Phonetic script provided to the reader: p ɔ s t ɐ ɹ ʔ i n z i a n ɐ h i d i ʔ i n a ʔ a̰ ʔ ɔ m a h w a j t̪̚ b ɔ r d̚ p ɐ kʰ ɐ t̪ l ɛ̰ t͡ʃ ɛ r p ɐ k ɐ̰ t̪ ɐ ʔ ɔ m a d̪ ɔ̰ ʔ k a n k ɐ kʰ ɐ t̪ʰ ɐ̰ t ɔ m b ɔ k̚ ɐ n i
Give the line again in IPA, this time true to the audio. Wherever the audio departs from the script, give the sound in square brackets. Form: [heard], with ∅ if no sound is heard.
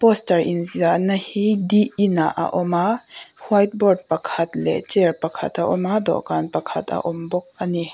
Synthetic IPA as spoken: p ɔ s t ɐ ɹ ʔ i n z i a n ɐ h i d i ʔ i n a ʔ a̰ ʔ ɔ m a h w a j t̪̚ b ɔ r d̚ p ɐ kʰ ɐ t̪ l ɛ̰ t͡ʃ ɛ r p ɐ [kʰ] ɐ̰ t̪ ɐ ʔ ɔ m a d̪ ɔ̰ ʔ k a n [p] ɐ kʰ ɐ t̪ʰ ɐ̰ [ʔ] ɔ m b ɔ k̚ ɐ n i